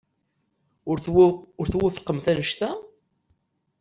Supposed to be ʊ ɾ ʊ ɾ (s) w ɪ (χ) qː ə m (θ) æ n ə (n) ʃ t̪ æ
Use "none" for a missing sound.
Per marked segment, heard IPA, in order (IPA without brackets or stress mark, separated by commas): θ, f, θ, none